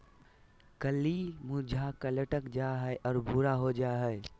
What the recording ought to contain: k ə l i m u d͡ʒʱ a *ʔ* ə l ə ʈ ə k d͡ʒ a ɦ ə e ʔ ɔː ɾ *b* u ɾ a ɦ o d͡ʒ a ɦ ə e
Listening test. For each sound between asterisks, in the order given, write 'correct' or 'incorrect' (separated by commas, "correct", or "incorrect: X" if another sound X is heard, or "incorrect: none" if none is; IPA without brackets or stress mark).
incorrect: k, correct